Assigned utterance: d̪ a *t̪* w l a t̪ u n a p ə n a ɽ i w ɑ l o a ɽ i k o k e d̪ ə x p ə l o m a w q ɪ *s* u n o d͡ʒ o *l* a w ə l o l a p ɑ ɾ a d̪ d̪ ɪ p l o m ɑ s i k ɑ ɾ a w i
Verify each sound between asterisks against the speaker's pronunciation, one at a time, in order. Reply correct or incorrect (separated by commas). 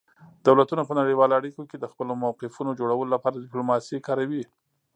incorrect, incorrect, incorrect